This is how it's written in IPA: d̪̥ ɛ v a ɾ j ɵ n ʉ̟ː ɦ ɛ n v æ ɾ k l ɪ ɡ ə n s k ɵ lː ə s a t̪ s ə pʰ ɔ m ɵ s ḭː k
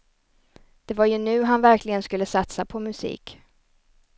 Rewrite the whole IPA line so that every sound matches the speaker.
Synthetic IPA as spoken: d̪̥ ɛ v a ɾ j ɵ n ʉ̟ː ɦ a n v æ ɾ k l ɪ ɡ ə n s k ɵ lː ə s a t̪ s a pʰ ɔ m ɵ s ḭː k